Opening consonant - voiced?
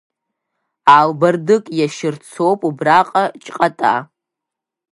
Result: yes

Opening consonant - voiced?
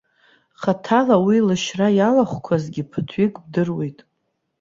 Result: no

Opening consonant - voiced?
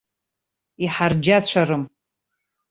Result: no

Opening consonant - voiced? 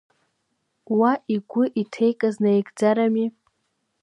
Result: yes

